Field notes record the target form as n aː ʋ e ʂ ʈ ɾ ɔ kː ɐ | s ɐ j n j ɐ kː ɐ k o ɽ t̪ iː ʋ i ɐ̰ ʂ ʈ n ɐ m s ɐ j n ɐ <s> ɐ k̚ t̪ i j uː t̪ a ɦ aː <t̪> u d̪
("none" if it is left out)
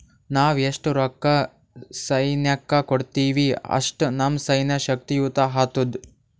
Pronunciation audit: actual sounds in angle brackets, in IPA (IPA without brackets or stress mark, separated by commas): ʃ, t̪